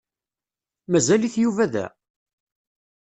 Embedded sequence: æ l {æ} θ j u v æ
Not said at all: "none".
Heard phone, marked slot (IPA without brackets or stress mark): i